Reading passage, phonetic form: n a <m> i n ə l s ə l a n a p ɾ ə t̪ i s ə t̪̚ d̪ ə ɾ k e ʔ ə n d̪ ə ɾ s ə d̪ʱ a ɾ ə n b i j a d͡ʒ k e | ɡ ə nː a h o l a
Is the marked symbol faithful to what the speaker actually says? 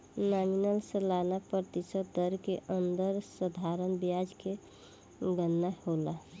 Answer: yes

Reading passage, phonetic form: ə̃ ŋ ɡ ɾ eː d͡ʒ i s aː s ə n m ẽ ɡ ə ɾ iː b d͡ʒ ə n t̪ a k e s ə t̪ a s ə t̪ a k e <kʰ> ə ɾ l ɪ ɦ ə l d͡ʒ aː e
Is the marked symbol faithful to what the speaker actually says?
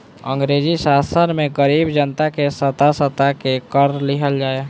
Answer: no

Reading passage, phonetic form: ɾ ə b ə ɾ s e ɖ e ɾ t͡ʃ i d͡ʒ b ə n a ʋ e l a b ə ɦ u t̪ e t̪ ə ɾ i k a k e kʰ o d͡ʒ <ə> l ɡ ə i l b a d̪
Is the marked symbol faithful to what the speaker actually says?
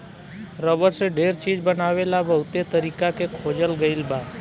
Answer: yes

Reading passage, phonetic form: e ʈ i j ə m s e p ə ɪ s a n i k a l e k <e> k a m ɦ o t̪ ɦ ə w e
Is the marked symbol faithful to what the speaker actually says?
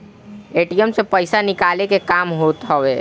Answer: yes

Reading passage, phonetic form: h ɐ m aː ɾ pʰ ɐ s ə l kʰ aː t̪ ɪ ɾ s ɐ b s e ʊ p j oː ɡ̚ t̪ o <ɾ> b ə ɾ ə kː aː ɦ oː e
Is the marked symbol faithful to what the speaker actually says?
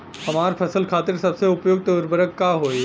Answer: yes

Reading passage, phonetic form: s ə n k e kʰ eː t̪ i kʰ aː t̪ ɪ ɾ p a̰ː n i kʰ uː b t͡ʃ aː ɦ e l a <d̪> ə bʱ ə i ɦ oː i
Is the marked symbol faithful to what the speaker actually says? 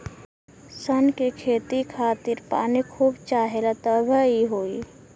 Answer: no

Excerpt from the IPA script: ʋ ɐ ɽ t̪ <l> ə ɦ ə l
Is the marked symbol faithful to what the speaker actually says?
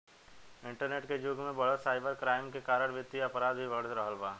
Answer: no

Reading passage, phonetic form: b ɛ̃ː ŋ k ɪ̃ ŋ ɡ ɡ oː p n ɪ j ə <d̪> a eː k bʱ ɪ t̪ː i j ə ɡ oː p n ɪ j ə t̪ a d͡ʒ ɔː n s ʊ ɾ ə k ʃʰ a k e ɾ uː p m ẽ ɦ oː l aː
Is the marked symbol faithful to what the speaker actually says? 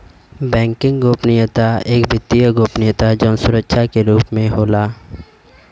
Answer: no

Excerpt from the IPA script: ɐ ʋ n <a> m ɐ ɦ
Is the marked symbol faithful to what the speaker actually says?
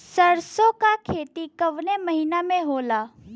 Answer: no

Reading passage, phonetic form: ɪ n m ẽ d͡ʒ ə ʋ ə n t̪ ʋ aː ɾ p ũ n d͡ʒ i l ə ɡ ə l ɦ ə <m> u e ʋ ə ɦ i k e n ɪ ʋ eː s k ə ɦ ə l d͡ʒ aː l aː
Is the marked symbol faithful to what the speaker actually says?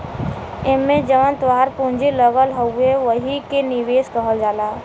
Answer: no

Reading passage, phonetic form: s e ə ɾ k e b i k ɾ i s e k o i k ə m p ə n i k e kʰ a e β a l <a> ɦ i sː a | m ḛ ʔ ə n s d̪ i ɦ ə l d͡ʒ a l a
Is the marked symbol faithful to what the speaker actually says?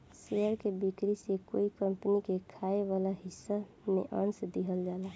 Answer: yes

